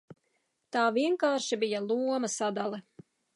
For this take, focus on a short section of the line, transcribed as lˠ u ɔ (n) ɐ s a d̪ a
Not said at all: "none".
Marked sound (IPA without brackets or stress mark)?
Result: m